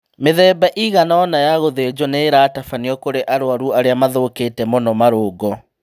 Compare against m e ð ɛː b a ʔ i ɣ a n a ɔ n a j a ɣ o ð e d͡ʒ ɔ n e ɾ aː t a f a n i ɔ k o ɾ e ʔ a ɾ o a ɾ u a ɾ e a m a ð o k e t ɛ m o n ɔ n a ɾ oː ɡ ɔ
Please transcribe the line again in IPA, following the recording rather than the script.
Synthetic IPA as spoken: m e ð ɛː b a ʔ i ɣ a n a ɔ n a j a ɣ o ð e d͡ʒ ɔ n e ɾ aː t a f a n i ɔ k o ɾ e ʔ a ɾ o a ɾ u a ɾ e a m a ð o k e t ɛ m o n ɔ m a ɾ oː ɡ ɔ